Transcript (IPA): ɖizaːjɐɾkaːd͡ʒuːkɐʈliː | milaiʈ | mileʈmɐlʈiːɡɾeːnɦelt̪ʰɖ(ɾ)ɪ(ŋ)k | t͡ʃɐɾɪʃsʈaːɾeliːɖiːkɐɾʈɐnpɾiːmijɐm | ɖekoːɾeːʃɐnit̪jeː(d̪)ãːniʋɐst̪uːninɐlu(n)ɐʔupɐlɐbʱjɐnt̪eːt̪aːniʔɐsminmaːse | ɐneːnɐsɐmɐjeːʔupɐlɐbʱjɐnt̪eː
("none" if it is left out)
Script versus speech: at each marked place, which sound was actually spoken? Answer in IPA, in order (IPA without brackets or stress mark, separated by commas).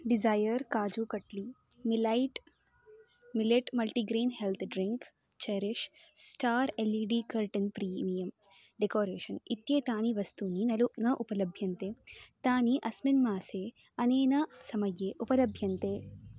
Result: ɾ, ŋ, t̪, n